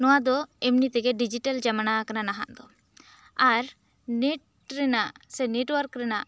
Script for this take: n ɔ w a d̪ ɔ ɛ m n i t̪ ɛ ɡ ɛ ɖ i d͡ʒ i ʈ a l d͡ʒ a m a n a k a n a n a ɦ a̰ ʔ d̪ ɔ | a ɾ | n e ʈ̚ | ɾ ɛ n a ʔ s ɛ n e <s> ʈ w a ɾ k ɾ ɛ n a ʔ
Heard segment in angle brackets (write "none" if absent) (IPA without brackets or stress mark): none